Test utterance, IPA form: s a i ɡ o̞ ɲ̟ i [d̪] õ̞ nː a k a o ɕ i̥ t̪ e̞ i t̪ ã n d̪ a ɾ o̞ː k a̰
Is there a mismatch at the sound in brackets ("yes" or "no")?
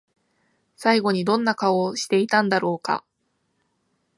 no